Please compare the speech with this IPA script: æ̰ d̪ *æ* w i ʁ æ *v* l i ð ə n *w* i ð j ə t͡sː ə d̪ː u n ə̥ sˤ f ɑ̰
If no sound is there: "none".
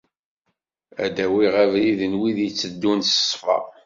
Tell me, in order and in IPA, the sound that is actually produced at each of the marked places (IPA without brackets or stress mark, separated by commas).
æ, v, w